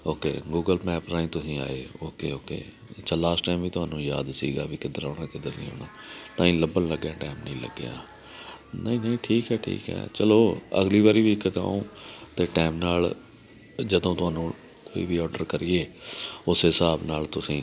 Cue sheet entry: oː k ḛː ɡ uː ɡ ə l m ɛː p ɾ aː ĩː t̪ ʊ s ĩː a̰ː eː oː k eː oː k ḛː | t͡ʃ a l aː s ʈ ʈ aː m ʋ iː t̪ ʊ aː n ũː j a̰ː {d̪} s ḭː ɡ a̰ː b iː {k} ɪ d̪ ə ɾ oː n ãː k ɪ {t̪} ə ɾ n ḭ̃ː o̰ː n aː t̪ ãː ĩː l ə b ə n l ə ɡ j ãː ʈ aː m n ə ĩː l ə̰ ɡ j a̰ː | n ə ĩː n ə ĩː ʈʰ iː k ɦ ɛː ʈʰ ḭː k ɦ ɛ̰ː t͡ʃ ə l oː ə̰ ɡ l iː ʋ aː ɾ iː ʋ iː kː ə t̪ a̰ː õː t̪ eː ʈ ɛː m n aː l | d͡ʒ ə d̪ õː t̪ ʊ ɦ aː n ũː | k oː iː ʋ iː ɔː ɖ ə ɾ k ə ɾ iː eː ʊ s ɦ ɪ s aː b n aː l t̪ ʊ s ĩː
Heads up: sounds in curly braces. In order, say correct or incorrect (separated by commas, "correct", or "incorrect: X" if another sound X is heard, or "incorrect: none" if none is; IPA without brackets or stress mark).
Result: correct, correct, incorrect: d̪